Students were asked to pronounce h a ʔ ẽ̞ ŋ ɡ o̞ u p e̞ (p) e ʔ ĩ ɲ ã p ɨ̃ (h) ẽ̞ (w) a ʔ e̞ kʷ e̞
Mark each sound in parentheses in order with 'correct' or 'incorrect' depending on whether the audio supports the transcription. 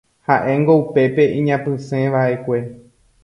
correct, incorrect: s, incorrect: ʋ

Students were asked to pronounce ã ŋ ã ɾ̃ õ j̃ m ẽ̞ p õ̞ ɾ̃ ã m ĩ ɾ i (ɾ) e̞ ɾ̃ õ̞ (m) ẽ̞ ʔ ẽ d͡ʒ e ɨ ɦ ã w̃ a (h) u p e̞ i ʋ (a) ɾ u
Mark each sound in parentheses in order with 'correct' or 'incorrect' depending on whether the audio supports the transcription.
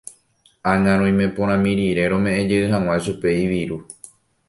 correct, correct, incorrect: ʃ, incorrect: i

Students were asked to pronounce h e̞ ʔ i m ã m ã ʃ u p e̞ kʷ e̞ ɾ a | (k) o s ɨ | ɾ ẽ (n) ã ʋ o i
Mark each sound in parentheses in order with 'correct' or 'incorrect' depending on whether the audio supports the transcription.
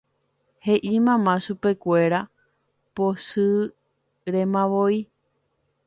incorrect: p, incorrect: m

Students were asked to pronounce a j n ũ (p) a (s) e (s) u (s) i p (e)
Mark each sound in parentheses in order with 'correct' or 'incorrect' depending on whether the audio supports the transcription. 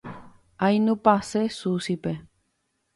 correct, correct, correct, correct, correct

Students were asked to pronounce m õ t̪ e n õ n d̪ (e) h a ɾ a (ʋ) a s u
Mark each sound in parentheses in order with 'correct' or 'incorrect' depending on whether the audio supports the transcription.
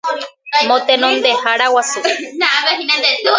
correct, incorrect: w

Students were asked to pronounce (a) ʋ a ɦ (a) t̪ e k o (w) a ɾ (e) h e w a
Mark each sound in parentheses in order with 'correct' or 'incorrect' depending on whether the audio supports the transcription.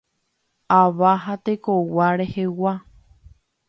correct, correct, correct, correct

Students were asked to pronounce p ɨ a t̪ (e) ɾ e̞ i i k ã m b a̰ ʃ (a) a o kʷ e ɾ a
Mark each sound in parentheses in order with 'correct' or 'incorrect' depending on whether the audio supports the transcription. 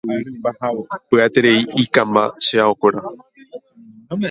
correct, incorrect: e

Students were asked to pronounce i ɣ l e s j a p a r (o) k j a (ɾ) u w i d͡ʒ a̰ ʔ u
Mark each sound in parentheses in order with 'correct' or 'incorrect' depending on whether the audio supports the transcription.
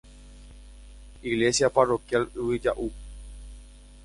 correct, incorrect: l

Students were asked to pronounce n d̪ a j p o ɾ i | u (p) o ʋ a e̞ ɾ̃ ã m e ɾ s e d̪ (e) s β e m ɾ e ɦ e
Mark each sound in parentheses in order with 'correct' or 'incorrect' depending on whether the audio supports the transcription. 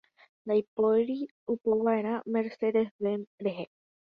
correct, correct

